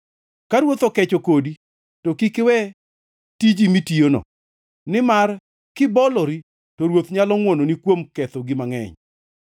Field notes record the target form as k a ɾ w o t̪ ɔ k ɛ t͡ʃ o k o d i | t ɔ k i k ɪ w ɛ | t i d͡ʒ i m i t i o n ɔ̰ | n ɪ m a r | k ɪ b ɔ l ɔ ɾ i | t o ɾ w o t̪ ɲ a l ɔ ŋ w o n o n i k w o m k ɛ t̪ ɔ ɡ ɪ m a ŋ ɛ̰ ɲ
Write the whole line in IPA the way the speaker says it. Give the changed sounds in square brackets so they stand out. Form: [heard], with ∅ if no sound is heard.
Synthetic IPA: k a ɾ w o t̪ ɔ k ɛ t͡ʃ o k o d i | t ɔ k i k ɪ w ɛ | t i d͡ʒ i m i t i o n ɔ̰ | n ɪ m a r | k ɪ b ɔ l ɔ ɾ i | t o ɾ w o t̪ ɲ a l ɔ ŋ w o n o n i k w o m k ɛ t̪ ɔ ɡ ɪ m a ŋ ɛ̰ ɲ